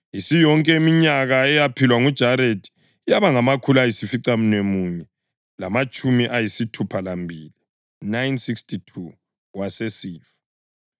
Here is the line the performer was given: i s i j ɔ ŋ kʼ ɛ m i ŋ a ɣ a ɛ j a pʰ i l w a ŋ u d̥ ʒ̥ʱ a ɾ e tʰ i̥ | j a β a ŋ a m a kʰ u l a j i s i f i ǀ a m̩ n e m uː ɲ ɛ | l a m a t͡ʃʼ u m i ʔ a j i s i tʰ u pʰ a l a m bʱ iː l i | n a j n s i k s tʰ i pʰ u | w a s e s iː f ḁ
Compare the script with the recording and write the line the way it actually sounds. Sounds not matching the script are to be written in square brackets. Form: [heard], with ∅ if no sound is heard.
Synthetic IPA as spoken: i s i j ɔ ŋ kʼ ɛ m i [ɲ] a ɣ a ɛ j a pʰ i l w a ŋ u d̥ ʒ̥ʱ a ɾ e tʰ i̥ | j a β a ŋ a m a kʰ u l a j i s i f i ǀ a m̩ n e m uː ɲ ɛ | l a m a t͡ʃʼ u m i ʔ a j i s i tʰ u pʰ a l a m bʱ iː l i | n a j n s i k s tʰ i [tʰ] u | w a s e s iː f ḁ

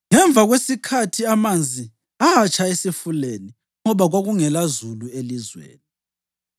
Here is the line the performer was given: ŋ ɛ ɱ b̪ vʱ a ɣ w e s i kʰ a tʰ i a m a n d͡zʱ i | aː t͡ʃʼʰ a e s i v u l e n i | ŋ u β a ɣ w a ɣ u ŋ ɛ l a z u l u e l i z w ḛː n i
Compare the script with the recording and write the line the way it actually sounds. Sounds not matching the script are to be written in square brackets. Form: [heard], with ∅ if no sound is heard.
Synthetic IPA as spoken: ŋ ɛ ɱ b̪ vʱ a ɣ w e s i kʰ a tʰ i a m a n d͡zʱ i | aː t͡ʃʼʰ a e s i [f] u l e n i | ŋ [ɔ] β a ɣ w a ɣ u ŋ ɛ l a z u l u e l i z w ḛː n i

